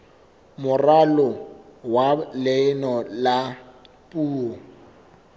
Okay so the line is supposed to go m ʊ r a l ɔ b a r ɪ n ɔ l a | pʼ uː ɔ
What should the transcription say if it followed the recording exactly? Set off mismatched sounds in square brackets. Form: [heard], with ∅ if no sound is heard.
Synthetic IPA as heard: m ʊ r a l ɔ [w] a [l] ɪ n ɔ l a | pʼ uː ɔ